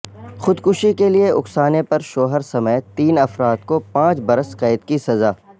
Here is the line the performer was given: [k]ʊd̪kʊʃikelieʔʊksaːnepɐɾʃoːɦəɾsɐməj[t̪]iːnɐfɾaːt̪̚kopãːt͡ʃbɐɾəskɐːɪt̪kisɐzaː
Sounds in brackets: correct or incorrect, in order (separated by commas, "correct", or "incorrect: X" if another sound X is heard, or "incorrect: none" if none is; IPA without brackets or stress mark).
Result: incorrect: x, correct